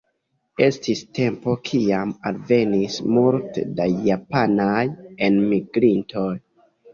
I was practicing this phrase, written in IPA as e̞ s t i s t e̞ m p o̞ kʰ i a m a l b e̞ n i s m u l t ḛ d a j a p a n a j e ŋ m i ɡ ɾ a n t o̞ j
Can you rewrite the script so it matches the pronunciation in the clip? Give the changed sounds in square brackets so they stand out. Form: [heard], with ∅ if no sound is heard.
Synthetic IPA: e̞ s t i s t e̞ m p o̞ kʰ i a m a l [v] e̞ n i s m u l t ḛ d a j a p a n a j e [n] m i ɡ ɾ [i] n t o̞ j